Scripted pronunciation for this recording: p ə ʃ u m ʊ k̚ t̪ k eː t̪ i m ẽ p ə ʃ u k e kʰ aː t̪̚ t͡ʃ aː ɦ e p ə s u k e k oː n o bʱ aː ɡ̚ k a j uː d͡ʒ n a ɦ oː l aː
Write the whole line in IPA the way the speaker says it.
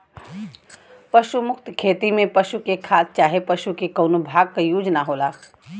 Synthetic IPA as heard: p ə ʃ u m ʊ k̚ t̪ kʰ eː t̪ i m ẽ p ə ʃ u k e kʰ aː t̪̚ t͡ʃ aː ɦ e p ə ʃ u k e k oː n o bʱ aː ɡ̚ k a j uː d͡ʒ n a ɦ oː l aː